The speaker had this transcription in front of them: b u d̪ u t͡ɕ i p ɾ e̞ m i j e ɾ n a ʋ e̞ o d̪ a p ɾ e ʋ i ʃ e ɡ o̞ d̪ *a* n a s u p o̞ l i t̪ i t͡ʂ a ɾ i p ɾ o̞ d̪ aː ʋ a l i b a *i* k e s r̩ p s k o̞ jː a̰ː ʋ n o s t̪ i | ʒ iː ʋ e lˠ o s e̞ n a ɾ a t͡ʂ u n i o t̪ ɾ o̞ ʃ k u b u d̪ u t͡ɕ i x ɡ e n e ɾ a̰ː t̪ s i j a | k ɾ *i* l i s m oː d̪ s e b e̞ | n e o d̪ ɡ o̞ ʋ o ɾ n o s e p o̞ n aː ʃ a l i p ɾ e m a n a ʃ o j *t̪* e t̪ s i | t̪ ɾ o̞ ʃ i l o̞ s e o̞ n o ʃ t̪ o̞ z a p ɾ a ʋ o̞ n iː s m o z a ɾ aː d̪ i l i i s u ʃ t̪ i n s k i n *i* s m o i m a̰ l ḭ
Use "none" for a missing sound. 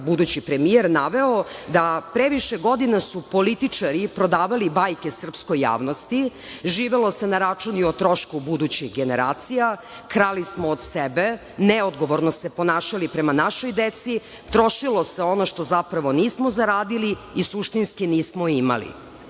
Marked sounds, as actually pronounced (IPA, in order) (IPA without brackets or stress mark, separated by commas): i, j, a, d̪, iː